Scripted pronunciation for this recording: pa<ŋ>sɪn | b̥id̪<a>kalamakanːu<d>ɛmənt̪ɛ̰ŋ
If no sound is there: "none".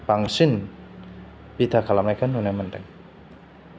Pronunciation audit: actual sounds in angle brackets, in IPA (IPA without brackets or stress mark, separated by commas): ŋ, a, n